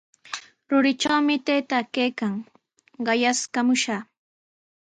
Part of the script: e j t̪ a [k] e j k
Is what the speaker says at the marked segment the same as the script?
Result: yes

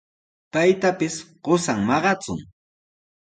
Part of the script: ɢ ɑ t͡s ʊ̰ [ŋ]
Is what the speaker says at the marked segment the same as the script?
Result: yes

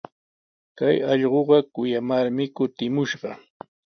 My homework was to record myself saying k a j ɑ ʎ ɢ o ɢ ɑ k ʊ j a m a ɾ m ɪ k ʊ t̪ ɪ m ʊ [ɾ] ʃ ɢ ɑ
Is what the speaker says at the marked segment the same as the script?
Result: no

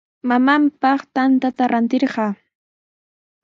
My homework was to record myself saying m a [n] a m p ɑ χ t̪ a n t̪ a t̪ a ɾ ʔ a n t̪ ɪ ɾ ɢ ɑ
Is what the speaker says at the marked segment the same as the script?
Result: no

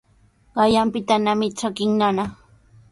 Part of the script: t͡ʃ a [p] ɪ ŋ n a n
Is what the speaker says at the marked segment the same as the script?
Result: no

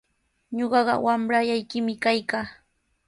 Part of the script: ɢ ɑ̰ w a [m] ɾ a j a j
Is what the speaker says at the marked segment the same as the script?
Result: yes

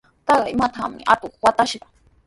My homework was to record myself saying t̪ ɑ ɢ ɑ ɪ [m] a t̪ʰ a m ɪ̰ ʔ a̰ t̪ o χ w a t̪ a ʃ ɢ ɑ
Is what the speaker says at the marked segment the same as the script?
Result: yes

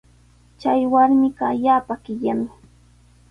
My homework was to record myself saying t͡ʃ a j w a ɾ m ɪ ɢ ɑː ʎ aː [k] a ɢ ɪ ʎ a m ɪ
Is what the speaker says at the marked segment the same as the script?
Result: no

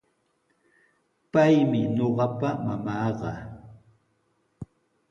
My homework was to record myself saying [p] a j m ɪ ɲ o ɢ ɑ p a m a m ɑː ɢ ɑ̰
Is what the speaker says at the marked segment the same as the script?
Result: yes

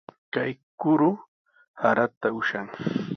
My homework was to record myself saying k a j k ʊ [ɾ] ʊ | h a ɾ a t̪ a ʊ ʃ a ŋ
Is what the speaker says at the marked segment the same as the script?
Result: yes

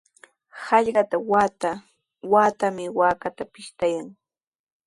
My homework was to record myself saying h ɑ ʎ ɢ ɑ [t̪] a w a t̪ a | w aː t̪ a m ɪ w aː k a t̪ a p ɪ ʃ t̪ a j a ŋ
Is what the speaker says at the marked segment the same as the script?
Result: yes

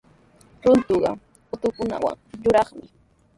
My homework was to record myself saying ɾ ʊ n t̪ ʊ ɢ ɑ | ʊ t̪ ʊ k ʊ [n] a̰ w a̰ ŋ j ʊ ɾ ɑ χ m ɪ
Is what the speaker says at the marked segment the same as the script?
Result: yes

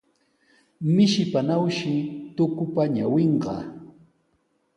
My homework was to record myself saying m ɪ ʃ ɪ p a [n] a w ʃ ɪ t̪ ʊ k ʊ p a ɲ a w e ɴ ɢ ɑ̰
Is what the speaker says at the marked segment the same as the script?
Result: yes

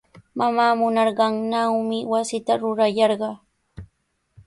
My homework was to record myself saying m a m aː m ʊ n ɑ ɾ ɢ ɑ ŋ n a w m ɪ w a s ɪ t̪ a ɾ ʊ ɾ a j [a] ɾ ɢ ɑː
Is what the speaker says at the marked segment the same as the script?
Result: no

